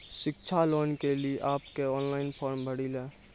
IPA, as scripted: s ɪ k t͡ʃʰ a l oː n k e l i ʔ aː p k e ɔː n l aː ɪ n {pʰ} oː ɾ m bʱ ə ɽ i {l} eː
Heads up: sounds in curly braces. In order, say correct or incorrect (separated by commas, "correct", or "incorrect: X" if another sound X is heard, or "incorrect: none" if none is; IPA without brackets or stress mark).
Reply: correct, correct